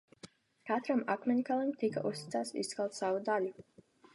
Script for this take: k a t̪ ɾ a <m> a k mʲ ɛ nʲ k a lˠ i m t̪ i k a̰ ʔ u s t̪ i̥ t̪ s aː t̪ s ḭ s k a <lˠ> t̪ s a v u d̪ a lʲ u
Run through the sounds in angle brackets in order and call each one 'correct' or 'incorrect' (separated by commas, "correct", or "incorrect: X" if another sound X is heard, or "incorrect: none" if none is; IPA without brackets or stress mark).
correct, correct